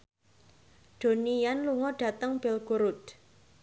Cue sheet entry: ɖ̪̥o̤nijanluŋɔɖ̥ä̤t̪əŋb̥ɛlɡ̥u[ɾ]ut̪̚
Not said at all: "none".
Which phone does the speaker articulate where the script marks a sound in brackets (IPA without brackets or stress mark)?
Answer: ɾ